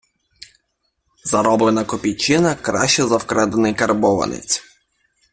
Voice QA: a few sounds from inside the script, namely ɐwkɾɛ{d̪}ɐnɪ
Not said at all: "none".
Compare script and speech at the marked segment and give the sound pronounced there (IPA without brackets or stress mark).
d̪